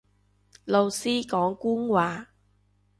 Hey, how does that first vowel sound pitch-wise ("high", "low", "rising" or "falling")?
low